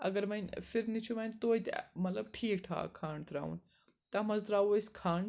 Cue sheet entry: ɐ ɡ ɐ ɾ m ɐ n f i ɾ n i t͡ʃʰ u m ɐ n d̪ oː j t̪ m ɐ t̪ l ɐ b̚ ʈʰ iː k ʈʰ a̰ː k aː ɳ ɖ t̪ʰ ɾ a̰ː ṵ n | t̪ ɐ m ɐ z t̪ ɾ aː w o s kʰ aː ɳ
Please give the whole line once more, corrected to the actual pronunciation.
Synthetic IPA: ɐ ɡ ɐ ɾ m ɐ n f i ɾ n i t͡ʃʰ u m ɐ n t̪ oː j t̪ m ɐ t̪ l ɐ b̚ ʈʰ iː k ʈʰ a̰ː kʰ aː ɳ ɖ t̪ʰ ɾ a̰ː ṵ n | t̪ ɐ m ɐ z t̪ ɾ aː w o s kʰ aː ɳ